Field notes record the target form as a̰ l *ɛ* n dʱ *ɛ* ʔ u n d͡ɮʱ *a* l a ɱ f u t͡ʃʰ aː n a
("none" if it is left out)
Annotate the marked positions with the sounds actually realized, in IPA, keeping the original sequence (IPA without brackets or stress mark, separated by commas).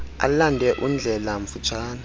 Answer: a, ɛ, ɛ